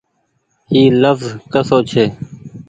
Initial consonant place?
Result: alveolar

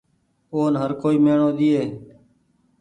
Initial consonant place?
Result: alveolar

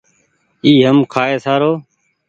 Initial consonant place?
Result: glottal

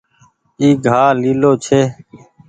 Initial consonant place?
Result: velar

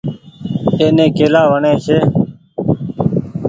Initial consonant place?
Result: alveolar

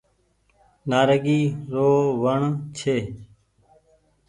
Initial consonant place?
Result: alveolar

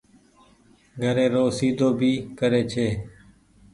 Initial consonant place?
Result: velar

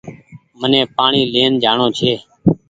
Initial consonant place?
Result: labial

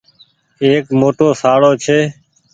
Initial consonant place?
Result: velar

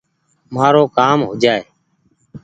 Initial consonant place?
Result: labial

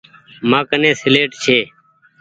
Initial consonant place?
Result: labial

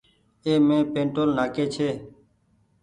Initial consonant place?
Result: labial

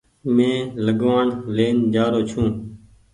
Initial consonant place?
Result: labial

